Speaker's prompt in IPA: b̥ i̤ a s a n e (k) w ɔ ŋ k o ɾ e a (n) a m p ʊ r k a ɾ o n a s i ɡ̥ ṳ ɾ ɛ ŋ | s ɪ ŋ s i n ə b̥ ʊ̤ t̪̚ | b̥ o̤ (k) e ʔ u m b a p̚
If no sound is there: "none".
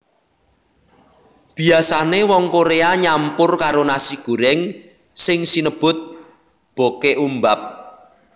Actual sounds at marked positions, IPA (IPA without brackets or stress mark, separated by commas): none, ɲ, k